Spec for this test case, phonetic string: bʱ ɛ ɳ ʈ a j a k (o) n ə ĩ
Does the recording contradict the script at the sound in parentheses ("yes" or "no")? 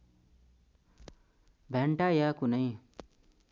yes